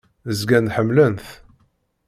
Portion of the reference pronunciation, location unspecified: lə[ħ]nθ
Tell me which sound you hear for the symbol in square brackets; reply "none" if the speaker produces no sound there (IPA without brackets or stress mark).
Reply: none